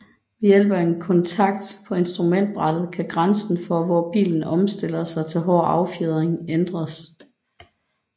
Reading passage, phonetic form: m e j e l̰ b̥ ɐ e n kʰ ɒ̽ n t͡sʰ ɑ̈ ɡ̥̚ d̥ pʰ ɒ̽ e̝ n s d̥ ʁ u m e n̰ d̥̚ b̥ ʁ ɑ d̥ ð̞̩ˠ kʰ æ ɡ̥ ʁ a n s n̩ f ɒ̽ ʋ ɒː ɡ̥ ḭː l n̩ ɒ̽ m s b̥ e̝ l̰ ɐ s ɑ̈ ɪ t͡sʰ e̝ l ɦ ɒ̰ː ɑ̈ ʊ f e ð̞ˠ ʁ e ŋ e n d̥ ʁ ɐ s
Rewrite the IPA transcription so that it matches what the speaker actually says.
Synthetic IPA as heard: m e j e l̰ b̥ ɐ e n kʰ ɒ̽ n t͡sʰ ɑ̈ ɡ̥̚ d̥ pʰ ɒ̽ e̝ n s d̥ ʁ u m e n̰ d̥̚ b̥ ʁ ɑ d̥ ð̞̩ˠ kʰ æ ɡ̥ ʁ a n s n̩ f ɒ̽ ʋ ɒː b̥ ḭː l n̩ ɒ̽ m s d̥ e̝ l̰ ɐ s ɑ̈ ɪ t͡sʰ e̝ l ɦ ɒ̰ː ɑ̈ ʊ f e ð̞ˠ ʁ e ŋ e n d̥ ʁ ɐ s